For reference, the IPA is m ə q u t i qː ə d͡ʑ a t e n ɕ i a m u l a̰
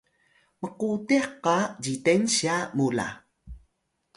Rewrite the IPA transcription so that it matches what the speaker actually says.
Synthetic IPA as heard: m ə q u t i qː a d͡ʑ i t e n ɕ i a m u l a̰